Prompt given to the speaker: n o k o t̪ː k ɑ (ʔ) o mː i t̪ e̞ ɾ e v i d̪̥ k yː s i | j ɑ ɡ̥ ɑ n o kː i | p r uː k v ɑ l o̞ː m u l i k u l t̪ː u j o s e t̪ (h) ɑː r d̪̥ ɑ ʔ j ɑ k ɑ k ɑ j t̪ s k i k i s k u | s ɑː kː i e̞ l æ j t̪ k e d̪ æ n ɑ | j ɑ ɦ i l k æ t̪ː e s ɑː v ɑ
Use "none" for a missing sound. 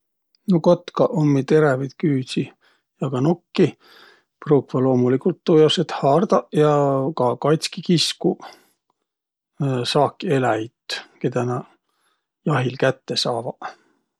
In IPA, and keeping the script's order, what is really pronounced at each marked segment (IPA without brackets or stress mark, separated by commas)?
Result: ʔ, h